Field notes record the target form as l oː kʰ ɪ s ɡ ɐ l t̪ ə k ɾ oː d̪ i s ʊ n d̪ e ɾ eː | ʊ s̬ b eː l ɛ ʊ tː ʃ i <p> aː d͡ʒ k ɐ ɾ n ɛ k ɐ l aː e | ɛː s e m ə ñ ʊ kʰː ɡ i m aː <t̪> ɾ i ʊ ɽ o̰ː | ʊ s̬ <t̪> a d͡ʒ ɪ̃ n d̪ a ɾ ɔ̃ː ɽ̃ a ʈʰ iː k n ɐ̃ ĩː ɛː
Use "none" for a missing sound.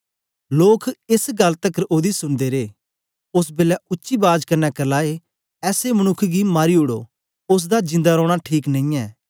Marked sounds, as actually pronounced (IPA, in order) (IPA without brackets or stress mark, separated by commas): b, none, d̪